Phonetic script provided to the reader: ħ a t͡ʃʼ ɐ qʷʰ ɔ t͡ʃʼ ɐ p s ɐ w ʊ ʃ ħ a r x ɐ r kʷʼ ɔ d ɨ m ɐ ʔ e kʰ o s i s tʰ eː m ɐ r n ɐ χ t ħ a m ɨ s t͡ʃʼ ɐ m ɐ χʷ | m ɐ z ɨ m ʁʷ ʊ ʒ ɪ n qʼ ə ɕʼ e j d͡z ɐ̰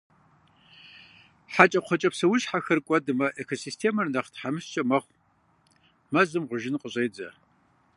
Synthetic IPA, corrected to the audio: ħ a t͡ʃʼ ɐ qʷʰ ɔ t͡ʃʼ ɐ p s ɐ w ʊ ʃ ħ a x ɐ r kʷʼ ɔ d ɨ m ɐ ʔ e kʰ o s i s tʰ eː m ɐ r n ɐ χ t ħ a m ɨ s t͡ʃʼ ɐ m ɐ χʷ | m ɐ z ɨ m ʁʷ ʊ ʒ ɪ n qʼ ə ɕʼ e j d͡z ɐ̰